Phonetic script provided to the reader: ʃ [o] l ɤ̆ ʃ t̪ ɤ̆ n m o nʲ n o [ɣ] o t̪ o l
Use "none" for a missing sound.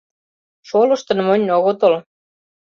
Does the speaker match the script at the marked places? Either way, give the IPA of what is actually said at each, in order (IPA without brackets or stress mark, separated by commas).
o, ɣ